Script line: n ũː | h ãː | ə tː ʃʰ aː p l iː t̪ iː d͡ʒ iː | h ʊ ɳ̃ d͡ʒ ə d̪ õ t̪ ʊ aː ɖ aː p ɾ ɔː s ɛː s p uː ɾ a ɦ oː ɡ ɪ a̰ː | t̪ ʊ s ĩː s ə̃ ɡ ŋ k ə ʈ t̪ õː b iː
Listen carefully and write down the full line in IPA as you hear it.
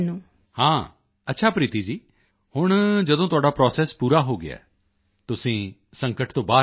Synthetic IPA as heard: n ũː | h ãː | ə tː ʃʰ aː p ɾ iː t̪ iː d͡ʒ iː | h ʊ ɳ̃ d͡ʒ ə d̪ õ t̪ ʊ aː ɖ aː p ɾ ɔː s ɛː s p uː ɾ a ɦ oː ɡ ɪ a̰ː | t̪ ʊ s ĩː s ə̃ ŋ k ə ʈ t̪ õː b aː

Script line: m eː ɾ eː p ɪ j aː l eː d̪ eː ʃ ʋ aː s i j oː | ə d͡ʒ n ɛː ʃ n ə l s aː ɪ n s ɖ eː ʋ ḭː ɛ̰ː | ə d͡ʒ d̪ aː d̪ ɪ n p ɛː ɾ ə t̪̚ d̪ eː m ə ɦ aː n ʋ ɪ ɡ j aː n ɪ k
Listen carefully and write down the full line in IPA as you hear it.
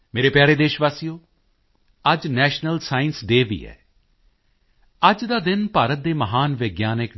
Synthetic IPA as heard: m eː ɾ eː p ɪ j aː ɾ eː d̪ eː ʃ ʋ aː s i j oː | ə d͡ʒ n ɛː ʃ n ə l s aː ɪ n s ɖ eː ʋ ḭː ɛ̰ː | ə d͡ʒ d̪ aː d̪ ɪ n p aː ɾ ə t̪̚ d̪ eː m ə ɦ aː n ʋ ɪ ɡ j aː n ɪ k

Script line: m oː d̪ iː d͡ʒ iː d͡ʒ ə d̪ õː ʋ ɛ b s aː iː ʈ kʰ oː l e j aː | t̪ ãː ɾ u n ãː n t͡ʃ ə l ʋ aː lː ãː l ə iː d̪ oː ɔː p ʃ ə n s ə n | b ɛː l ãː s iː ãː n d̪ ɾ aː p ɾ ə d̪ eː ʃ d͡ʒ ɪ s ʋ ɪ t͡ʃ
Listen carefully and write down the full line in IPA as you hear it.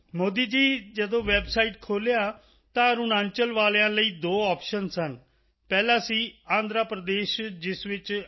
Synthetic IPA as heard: m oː d̪ iː d͡ʒ iː d͡ʒ ə d̪ õː ʋ ɛ b s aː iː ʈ kʰ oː l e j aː | t̪ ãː ɾ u n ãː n t͡ʃ ə l ʋ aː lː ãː l ə iː d̪ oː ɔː p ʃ ə n s ə n | p ɛː l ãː s iː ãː n d̪ ɾ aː p ɾ ə d̪ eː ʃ d͡ʒ ɪ s ʋ ɪ t͡ʃ

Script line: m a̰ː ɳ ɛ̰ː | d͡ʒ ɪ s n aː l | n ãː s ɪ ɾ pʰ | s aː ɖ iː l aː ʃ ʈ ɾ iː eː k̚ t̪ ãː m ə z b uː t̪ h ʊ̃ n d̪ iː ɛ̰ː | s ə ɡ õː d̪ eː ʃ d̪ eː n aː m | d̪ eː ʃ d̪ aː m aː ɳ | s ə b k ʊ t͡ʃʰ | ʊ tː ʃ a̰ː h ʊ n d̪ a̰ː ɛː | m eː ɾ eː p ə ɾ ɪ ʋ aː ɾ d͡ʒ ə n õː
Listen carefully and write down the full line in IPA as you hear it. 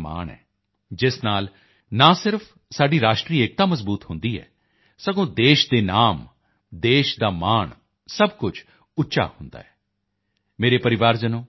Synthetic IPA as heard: m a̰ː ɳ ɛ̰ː | d͡ʒ ɪ s n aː l | n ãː s ɪ ɾ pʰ | s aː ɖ iː ɾ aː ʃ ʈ ɾ iː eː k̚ t̪ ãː m ə z b uː t̪ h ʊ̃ n d̪ iː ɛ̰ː | s ə ɡ õː d̪ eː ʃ d̪ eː n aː m | d̪ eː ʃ d̪ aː m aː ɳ | s ə b k ʊ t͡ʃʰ | ʊ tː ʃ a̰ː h ʊ n d̪ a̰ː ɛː | m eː ɾ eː p ə ɾ ɪ ʋ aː ɾ d͡ʒ ə n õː

